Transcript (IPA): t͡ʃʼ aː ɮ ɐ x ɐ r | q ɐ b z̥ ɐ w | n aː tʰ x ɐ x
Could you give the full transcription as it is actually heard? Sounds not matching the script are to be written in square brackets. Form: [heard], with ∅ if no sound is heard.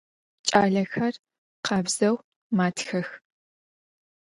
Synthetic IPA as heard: t͡ʃʼ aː ɮ ɐ x ɐ r | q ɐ b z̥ ɐ w | [m] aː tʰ x ɐ x